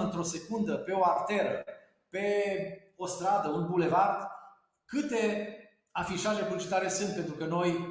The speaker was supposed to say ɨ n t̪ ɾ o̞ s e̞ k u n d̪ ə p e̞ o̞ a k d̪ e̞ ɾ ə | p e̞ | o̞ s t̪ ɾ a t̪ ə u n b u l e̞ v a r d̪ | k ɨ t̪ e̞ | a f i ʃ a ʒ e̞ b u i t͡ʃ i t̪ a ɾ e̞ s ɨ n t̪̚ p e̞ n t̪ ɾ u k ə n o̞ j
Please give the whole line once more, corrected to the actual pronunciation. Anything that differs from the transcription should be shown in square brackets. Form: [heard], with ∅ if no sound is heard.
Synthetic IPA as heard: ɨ n t̪ ɾ o̞ s e̞ k u n d̪ ə p e̞ o̞ a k [t̪] e̞ ɾ ə | p e̞ | o̞ s t̪ ɾ a [d̪] ə u n b u l e̞ v a r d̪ | k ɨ t̪ e̞ | a f i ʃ a ʒ e̞ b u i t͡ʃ i t̪ a ɾ e̞ s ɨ n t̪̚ p e̞ n t̪ ɾ u k ə n o̞ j